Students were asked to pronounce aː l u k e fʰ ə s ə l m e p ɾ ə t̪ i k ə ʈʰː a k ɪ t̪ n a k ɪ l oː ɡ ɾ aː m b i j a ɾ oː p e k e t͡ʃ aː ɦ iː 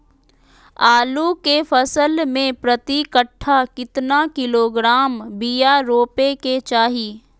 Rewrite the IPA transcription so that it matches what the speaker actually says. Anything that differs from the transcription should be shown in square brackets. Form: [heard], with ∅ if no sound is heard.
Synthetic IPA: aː l u k e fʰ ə s ə l m [ẽ] p ɾ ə t̪ i k ə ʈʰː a k ɪ t̪ n a k ɪ l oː ɡ ɾ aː m b i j a ɾ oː p e k e t͡ʃ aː ɦ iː